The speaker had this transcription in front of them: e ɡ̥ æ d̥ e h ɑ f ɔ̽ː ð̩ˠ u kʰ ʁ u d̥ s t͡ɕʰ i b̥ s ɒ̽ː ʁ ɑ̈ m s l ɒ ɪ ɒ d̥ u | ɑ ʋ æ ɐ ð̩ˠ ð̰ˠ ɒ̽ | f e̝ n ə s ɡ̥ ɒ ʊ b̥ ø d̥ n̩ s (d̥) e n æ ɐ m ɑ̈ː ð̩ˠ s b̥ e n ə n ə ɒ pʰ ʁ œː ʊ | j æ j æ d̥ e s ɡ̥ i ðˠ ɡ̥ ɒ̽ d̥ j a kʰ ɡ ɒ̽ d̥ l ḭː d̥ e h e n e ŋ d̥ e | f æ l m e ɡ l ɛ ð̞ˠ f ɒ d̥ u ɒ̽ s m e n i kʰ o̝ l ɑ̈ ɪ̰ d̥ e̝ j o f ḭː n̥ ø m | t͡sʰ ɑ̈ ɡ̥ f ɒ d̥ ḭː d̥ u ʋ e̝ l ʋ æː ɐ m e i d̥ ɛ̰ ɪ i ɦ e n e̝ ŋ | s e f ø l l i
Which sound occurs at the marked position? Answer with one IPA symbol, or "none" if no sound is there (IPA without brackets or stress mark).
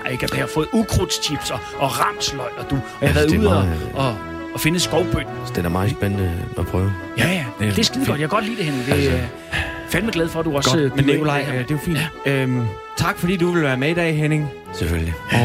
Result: d̥